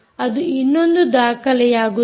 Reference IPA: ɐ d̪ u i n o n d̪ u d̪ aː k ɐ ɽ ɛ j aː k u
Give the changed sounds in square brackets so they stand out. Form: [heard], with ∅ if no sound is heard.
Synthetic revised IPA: ɐ d̪ u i [nː] o n d̪ u d̪ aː k ɐ [l] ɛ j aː [ɡ] u